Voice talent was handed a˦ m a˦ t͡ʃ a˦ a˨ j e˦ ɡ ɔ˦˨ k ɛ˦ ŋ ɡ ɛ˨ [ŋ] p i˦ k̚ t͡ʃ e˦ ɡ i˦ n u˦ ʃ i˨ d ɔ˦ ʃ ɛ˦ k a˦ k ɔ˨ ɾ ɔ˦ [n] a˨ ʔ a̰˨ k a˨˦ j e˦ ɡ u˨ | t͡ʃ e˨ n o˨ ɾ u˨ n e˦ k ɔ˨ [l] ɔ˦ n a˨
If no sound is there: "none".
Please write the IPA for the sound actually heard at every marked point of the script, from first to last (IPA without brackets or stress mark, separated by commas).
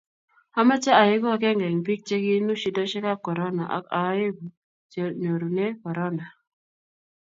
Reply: ŋ, n, ɾ